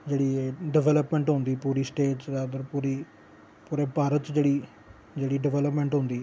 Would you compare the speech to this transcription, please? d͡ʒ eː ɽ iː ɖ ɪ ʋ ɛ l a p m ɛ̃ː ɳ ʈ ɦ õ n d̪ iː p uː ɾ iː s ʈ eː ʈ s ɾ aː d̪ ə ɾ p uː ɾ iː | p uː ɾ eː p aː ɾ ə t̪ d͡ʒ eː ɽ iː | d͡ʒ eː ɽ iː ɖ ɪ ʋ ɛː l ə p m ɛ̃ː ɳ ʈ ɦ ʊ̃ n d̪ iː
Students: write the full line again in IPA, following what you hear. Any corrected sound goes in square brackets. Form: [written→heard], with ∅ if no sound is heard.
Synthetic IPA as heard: d͡ʒ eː ɽ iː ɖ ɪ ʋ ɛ l [a→ə] p m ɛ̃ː ɳ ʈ ɦ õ n d̪ iː p uː ɾ iː s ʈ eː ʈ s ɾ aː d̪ ə ɾ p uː ɾ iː | p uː ɾ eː p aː ɾ ə t̪ d͡ʒ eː ɽ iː | d͡ʒ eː ɽ iː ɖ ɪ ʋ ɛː l ə p m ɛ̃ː ɳ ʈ ɦ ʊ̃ n d̪ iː

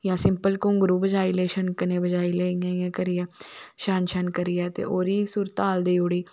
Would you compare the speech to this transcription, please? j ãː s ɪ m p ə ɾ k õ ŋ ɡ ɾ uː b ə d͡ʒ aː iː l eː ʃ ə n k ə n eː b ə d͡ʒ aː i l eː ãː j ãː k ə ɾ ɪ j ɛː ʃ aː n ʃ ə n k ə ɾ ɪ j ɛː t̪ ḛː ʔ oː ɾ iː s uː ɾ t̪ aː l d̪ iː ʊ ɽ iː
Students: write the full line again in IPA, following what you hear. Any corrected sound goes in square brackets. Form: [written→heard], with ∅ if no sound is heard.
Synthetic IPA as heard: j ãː s ɪ m p ə [ɾ→l] k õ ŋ ɡ ɾ uː b ə d͡ʒ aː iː l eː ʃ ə n k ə n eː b ə d͡ʒ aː i l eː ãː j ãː k ə ɾ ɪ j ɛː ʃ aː n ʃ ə n k ə ɾ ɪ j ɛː t̪ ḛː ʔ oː ɾ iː s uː ɾ t̪ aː l d̪ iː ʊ ɽ iː

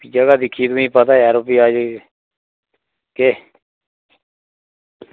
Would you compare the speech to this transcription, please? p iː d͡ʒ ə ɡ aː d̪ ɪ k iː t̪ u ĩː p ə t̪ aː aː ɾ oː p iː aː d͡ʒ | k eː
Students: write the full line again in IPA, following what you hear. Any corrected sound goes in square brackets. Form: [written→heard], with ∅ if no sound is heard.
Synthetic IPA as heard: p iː d͡ʒ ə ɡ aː d̪ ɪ [k→kʰ] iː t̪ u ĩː p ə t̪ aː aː ɾ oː p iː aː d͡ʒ | k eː

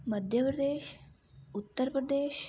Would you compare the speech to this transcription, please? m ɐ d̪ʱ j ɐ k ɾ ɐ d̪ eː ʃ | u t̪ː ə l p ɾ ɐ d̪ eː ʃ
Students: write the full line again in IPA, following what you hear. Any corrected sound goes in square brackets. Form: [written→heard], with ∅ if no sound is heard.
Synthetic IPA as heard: m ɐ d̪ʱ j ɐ [k→p] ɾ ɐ d̪ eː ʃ | u t̪ː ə [l→ɾ] p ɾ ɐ d̪ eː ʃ

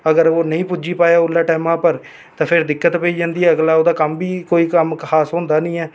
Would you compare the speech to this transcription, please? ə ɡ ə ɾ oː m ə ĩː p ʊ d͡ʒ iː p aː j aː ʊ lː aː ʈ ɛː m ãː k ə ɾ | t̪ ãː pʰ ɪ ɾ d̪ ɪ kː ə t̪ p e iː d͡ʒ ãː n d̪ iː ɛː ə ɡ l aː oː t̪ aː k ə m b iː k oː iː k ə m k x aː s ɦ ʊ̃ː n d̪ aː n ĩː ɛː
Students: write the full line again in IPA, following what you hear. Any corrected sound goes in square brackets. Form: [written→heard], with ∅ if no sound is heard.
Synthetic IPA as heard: ə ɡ ə ɾ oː [m→n] ə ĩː p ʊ d͡ʒ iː p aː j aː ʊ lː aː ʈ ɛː m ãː [k→p] ə ɾ | t̪ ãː pʰ ɪ ɾ d̪ ɪ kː ə t̪ p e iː d͡ʒ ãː n d̪ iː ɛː ə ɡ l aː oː [t̪→d̪] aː k ə m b iː k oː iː k ə m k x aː s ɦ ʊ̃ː n d̪ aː n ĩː ɛː

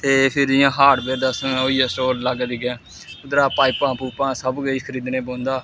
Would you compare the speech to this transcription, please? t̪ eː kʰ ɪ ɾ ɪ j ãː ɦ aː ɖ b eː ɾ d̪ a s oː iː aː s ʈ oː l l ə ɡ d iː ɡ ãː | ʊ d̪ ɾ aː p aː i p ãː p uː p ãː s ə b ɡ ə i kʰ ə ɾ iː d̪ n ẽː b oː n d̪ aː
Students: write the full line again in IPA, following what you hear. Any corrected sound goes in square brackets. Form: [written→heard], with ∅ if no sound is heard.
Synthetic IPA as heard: t̪ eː [kʰ→pʰ] ɪ ɾ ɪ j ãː ɦ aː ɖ b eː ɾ d̪ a s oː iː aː s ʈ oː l l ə ɡ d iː ɡ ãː | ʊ d̪ ɾ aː p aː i p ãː p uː p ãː s ə b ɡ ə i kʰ ə ɾ iː d̪ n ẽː b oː n d̪ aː

